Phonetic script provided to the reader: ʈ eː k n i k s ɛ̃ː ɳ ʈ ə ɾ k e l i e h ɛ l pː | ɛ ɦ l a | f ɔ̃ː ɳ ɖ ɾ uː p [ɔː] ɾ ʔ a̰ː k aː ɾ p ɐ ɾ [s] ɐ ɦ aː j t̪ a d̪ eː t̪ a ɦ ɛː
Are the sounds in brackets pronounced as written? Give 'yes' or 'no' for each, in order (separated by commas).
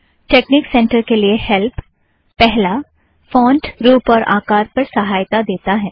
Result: yes, yes